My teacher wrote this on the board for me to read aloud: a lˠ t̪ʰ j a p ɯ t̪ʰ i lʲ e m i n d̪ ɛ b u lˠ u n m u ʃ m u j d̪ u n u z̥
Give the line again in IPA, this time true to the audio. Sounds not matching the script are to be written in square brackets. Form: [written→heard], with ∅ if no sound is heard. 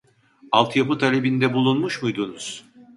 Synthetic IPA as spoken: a lˠ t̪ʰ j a p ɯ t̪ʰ [i→a] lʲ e [m→b] i n d̪ ɛ b u lˠ u n m u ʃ m u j d̪ u n u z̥